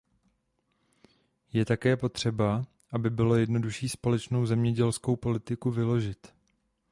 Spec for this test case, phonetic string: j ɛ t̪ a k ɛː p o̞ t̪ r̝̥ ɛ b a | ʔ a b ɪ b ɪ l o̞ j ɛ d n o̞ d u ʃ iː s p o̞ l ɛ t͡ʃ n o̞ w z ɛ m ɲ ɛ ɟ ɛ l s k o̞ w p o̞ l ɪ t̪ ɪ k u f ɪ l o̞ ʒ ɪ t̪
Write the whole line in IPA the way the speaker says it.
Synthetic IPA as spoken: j ɛ t̪ a k ɛː p o̞ t̪ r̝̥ ɛ b a | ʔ a b ɪ b ɪ l o̞ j ɛ d n o̞ d u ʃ iː s p o̞ l ɛ t͡ʃ n o̞ w z ɛ m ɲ ɛ ɟ ɛ l s k o̞ w p o̞ l ɪ t̪ ɪ k u v ɪ l o̞ ʒ ɪ t̪